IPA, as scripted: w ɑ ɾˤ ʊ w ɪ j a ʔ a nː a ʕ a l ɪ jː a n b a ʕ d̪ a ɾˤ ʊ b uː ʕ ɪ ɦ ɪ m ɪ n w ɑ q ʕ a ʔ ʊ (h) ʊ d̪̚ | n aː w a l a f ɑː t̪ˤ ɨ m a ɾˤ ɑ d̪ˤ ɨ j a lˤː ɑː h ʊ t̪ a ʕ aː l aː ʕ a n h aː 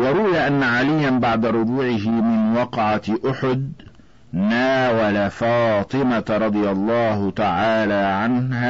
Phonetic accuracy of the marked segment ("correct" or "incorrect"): incorrect